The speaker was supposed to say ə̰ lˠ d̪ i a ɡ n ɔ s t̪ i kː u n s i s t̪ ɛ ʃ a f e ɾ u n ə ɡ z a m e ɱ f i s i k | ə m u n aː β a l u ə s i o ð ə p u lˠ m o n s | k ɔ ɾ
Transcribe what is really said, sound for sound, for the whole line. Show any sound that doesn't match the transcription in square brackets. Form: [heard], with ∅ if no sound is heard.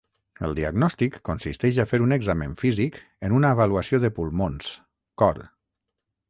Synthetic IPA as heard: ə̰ lˠ d̪ i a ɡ n ɔ s t̪ i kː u n s i s t̪ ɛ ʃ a f e ɾ u n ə ɡ z a m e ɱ f i [z] i k | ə [n] u n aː β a l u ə s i o ð ə p u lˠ m o n s | k ɔ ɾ

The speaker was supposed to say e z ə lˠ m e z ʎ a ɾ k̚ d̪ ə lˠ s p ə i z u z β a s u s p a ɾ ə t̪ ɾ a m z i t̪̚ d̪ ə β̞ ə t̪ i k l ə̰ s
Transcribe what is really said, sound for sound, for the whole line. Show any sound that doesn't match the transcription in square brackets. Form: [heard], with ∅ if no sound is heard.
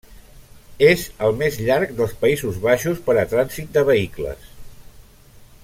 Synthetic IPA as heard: e z ə lˠ m e z ʎ a ɾ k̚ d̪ ə lˠ s p ə i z u z β a [ʃ] u s p [ə] ɾ ə t̪ ɾ a [n] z i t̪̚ d̪ ə β̞ ə [∅] i k l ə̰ s

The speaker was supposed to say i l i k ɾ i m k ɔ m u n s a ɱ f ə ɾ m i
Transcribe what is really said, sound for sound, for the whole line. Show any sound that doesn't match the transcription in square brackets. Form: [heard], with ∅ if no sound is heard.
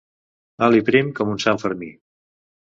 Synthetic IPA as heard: [a] l i [p] ɾ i m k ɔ m u n s a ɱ f ə ɾ m i

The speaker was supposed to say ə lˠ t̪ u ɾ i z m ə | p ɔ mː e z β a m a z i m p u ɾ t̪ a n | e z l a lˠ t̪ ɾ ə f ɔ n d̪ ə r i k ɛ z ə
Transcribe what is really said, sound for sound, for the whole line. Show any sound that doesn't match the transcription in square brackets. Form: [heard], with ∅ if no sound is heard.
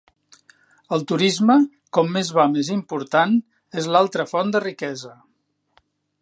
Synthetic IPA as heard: ə lˠ t̪ u ɾ i z m ə | [k] ɔ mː e z β a m [e] z i m p u ɾ t̪ a n | e z l a lˠ t̪ ɾ ə f ɔ n d̪ ə r i k ɛ z ə

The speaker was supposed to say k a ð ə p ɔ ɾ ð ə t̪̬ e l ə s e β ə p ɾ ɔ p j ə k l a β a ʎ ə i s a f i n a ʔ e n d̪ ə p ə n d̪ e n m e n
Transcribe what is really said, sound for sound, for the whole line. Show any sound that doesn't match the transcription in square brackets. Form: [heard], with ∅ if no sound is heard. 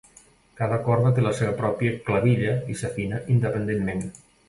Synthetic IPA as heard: k a ð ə [k] ɔ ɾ ð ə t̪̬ e l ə s e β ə p ɾ ɔ p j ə k l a β [i] ʎ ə i s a f i n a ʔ [i] n d̪ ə p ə n d̪ e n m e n

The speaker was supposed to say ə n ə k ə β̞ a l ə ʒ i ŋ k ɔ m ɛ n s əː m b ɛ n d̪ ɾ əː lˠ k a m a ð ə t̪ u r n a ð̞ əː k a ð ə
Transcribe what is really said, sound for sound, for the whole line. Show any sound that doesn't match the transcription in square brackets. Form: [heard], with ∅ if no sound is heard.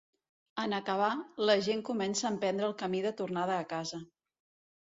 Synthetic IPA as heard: ə n ə k ə β̞ a l ə ʒ [e] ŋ k [u] m ɛ n s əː m [p] ɛ n d̪ ɾ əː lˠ k [ə] m [i] ð ə t̪ u r n a ð̞ əː k a [z] ə

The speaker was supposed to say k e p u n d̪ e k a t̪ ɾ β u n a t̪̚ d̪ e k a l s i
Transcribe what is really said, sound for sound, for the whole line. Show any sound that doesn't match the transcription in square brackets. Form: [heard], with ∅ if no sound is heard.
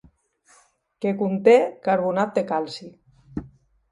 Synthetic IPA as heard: k e [k] u n [t̪] e k a [∅] ɾ β u n a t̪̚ d̪ e k a l s i

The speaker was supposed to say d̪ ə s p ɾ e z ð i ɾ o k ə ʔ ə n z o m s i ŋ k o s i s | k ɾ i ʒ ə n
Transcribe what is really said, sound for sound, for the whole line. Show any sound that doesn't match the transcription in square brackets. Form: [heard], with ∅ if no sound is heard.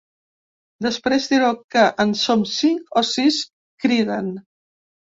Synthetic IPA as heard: d̪ ə s p ɾ e z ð i ɾ o k ə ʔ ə n [s] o m s i ŋ k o s i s | k ɾ i [ð] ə n

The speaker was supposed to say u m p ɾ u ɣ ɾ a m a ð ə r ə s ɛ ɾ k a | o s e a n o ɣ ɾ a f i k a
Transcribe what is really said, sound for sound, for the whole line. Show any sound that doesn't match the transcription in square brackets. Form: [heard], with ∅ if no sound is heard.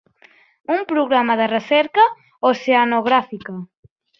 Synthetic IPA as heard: u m p ɾ u ɣ ɾ a m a ð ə r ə s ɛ ɾ k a | o s e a n o ɣ ɾ a f i k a

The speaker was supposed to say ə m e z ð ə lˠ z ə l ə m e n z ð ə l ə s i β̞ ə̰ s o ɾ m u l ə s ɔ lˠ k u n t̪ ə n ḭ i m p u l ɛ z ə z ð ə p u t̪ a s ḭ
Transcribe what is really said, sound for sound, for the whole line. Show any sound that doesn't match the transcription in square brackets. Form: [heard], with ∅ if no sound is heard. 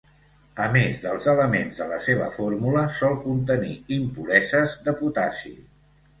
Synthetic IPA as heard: ə m e z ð ə lˠ z ə l ə m e n z ð ə l ə s [e] β̞ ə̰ [f] o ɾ m u l ə s ɔ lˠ k u n t̪ ə n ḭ i m p u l ɛ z ə z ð ə p u t̪ a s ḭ

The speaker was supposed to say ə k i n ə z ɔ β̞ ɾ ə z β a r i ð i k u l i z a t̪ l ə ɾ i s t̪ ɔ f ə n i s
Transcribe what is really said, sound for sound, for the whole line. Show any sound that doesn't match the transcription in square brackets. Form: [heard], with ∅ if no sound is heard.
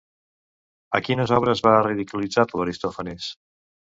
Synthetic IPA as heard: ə k i n ə z ɔ β̞ ɾ ə z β a r i ð i k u l i [d͡z] a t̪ l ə ɾ i s t̪ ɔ f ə n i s

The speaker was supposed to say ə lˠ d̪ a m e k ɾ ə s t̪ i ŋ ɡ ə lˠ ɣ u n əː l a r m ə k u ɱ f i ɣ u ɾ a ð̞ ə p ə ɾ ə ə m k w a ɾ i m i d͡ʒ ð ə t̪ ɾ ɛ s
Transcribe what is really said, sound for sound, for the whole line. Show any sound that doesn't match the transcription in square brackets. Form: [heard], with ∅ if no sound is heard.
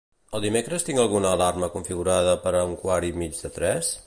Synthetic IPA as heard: ə lˠ d̪ [i] m e k ɾ ə s t̪ i ŋ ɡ ə lˠ ɣ u n əː l a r m ə k u ɱ f i ɣ u ɾ a ð̞ ə p ə ɾ ə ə [ŋ] k w a ɾ i m i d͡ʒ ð ə t̪ ɾ ɛ s

